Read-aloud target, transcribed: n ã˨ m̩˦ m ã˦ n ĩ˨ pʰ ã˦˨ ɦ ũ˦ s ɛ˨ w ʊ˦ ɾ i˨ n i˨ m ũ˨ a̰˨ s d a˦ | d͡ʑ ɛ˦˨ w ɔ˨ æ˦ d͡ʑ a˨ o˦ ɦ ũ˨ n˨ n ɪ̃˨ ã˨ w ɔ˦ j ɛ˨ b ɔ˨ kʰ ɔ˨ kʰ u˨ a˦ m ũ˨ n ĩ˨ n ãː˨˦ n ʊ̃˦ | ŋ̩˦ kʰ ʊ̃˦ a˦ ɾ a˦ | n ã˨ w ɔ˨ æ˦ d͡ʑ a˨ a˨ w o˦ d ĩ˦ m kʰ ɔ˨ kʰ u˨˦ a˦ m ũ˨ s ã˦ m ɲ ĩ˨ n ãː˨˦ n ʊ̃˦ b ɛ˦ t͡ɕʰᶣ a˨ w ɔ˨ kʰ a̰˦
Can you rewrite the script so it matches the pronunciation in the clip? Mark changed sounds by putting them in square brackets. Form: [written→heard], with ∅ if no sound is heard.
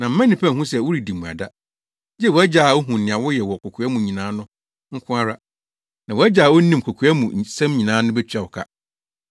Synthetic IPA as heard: n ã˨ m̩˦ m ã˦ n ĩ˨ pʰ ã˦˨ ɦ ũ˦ s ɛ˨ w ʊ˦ ɾ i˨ [n→d] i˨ m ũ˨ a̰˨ [s→∅] d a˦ | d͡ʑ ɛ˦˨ w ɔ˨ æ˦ d͡ʑ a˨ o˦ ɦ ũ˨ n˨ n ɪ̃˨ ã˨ w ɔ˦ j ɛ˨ [b→w] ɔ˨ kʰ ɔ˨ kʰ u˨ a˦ m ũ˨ [n→ɲ] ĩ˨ n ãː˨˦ n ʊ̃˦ | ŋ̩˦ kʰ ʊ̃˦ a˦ ɾ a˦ | n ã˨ w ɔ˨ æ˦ d͡ʑ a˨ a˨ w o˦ [d→n] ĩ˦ m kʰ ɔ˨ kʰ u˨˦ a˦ m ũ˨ s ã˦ m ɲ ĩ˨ n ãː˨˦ n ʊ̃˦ b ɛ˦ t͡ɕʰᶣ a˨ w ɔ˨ kʰ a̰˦